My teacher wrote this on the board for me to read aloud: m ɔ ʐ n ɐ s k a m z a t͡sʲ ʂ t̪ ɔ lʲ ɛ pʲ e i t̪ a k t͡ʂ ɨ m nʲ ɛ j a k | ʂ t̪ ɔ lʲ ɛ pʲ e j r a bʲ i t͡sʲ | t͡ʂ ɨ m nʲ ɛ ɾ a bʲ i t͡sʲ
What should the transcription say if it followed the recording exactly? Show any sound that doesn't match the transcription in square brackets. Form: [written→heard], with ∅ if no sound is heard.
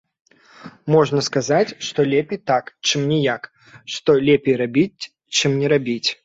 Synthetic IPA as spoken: m ɔ ʐ n ɐ s k a [m→∅] z a t͡sʲ ʂ t̪ ɔ lʲ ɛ pʲ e [i→j] t̪ a k t͡ʂ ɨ m nʲ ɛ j a k | ʂ t̪ ɔ lʲ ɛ pʲ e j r a bʲ i t͡sʲ | t͡ʂ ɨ m nʲ ɛ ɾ a bʲ i t͡sʲ